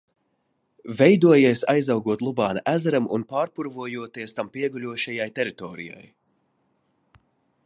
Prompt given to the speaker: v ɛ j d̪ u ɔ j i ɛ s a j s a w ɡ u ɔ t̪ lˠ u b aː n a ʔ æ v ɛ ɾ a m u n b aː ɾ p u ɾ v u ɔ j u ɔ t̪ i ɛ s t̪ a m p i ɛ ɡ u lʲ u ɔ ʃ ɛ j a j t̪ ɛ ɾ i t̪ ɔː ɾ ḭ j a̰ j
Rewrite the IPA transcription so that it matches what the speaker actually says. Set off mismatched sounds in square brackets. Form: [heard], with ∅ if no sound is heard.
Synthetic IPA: v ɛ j d̪ u ɔ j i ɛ s a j [z] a w ɡ u ɔ t̪ lˠ u b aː n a ʔ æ [z] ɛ ɾ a m u n [p] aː ɾ p u ɾ v u ɔ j u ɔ t̪ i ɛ s t̪ a m p i ɛ ɡ u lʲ u ɔ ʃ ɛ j a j t̪ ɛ ɾ i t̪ ɔː ɾ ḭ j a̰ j